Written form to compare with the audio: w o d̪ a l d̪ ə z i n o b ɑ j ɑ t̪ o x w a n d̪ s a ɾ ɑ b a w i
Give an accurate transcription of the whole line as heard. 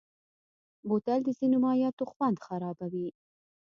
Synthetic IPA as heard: b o t̪ a l d̪ ə z i n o m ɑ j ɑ t̪ o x w a n d̪ x a ɾ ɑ b a w i

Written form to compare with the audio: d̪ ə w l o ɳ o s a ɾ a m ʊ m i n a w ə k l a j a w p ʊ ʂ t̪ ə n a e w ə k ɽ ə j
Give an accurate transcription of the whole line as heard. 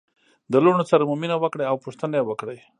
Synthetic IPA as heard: d̪ ə l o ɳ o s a ɾ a m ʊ m i n a w ə k ɽ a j a w p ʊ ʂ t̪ ə n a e w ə k ɽ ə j

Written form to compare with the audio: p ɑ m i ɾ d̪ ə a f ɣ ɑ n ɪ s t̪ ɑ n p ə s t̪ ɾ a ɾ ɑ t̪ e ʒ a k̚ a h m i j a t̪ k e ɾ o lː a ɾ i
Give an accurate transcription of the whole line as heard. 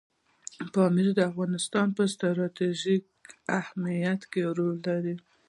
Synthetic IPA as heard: p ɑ m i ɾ d̪ ə a f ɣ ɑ n ɪ s t̪ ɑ n p ə s t̪ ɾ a ɾ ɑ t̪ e ʒ i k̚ a h m i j a t̪ k e ɾ o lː a ɾ i

